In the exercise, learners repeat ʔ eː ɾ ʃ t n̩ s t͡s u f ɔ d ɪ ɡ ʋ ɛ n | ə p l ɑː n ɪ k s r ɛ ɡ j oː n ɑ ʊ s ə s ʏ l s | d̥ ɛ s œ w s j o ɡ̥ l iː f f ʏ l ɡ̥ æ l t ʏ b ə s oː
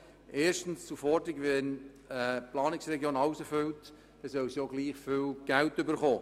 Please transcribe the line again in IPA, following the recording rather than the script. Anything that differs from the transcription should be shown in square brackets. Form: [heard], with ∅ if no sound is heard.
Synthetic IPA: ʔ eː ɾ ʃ t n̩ s t͡s u f ɔ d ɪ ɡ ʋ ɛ n | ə p l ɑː n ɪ k s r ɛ ɡ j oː n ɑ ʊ s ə [f] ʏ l [t] | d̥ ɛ s œ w s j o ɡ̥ l iː [χ] f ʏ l ɡ̥ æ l t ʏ b ə [χ] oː